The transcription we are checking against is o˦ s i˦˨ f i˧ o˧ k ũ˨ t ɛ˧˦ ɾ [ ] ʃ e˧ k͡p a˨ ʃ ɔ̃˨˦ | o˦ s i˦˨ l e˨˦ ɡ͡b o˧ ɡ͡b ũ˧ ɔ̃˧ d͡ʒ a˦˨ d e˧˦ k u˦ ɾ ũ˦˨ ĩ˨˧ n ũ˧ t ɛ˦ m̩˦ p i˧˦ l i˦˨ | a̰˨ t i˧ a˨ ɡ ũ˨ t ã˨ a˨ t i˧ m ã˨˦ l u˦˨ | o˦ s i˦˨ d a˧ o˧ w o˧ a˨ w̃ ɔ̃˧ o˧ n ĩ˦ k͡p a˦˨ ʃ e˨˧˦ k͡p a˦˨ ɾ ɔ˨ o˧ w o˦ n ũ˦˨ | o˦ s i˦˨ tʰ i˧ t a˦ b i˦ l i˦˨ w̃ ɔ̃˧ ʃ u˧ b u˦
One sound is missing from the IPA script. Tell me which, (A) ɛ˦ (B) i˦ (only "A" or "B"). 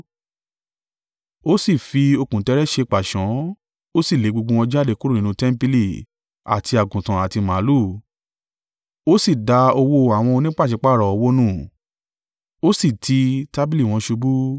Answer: A